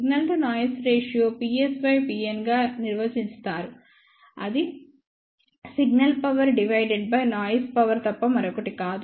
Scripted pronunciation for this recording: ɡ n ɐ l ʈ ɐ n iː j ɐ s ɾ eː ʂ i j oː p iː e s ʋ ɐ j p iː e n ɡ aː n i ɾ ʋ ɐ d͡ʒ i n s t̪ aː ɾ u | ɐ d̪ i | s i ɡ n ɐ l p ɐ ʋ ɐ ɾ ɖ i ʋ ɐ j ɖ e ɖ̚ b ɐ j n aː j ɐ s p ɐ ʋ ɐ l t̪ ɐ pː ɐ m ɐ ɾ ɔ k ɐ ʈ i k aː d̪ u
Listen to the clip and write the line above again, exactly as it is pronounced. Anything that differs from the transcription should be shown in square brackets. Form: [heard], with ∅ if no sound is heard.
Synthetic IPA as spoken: ɡ n ɐ l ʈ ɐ n [aː] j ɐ s ɾ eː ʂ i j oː p iː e s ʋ ɐ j p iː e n ɡ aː n i ɾ ʋ ɐ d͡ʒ i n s t̪ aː ɾ u | ɐ d̪ i | s i ɡ n ɐ l p ɐ ʋ ɐ ɾ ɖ i ʋ ɐ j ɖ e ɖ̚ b ɐ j n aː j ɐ s p ɐ ʋ ɐ [ɾ] t̪ ɐ pː ɐ m ɐ ɾ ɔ k ɐ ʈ i k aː d̪ u

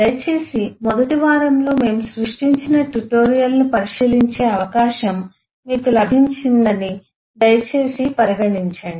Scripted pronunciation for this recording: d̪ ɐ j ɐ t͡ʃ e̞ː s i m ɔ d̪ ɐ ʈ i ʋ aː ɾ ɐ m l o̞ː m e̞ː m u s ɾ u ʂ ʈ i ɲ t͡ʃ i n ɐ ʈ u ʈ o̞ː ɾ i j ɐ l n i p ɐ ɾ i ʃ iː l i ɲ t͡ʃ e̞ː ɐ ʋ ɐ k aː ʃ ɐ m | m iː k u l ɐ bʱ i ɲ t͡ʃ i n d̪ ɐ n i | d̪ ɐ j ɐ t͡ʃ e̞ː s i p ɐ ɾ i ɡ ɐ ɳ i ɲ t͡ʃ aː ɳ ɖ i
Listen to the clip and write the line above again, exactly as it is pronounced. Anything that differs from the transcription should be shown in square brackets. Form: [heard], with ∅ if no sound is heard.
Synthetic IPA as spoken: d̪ ɐ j ɐ t͡ʃ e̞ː s i m ɔ d̪ ɐ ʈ i ʋ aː ɾ ɐ m l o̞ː m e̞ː m u s ɾ u ʂ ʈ i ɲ t͡ʃ i n ɐ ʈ u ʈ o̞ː ɾ i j ɐ l n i p ɐ ɾ i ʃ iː l i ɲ t͡ʃ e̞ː ɐ ʋ ɐ k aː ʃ ɐ m | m iː k u l ɐ bʱ i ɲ t͡ʃ i n d̪ ɐ n i | d̪ ɐ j ɐ t͡ʃ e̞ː s i p ɐ ɾ i ɡ ɐ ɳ i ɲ t͡ʃ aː ɳ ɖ i

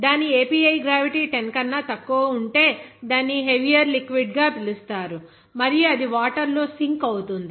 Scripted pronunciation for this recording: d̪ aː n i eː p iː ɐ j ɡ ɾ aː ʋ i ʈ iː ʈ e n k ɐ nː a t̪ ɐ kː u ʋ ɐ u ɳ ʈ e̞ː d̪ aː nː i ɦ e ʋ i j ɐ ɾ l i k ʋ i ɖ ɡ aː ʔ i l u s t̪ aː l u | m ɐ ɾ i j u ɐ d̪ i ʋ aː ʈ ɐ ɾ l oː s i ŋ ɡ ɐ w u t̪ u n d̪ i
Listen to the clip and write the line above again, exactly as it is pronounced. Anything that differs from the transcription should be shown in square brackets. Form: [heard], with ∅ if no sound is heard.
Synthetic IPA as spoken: d̪ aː n i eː p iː ɐ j ɡ ɾ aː ʋ i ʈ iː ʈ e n k ɐ nː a t̪ ɐ kː u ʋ ɐ u ɳ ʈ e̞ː d̪ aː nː i ɦ e ʋ i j ɐ ɾ l i k ʋ i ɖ ɡ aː [p] i l u s t̪ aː [ɾ] u | m ɐ ɾ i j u ɐ d̪ i ʋ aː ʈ ɐ ɾ l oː s i ŋ [k] ɐ w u t̪ u n d̪ i

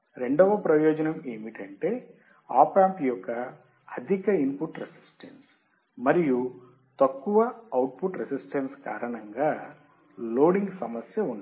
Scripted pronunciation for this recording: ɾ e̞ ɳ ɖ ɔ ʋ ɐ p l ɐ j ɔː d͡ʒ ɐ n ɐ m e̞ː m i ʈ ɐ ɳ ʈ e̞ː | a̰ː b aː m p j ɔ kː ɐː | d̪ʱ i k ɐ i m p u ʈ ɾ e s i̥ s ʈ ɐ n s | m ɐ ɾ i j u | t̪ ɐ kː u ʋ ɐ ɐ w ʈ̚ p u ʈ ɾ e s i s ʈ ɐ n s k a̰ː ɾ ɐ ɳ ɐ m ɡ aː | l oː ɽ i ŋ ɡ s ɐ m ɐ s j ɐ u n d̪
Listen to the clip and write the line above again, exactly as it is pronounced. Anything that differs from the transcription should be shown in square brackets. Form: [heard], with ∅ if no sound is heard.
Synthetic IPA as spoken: ɾ e̞ ɳ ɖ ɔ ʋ ɐ p [ɾ] ɐ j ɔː d͡ʒ ɐ n ɐ m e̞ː m i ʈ ɐ ɳ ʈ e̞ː | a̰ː [p] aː m p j ɔ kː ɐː | d̪ʱ i k ɐ i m p u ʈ ɾ e s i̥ s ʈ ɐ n s | m ɐ ɾ i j u | t̪ ɐ kː u ʋ ɐ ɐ w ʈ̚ p u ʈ ɾ e s i s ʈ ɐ n s k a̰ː ɾ ɐ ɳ ɐ [ŋ] ɡ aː | l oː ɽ i ŋ ɡ s ɐ m ɐ s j ɐ u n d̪

